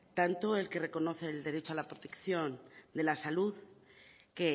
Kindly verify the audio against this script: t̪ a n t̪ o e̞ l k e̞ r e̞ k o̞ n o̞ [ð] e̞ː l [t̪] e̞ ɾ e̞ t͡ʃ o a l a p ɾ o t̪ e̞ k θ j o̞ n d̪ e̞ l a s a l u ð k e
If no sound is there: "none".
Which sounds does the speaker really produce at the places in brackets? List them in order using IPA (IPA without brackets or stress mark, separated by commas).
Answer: θ, d̪